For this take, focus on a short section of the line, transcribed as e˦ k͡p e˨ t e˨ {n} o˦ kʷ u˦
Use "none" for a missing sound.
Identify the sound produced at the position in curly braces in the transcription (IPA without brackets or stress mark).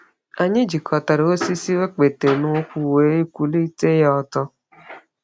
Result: n